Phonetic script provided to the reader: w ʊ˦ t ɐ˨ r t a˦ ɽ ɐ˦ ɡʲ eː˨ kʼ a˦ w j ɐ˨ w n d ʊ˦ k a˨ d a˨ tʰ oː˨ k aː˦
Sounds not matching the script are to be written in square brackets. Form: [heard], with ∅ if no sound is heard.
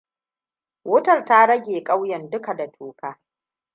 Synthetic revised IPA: w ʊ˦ t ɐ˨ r t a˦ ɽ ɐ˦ ɡʲ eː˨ kʼ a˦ w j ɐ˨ [∅] n d ʊ˦ k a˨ d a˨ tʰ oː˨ k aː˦